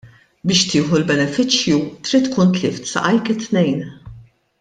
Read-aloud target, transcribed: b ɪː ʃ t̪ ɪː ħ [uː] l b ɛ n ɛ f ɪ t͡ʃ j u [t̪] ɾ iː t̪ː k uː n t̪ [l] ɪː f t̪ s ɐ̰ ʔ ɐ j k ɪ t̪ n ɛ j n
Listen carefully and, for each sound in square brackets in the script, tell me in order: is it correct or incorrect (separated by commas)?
incorrect, correct, correct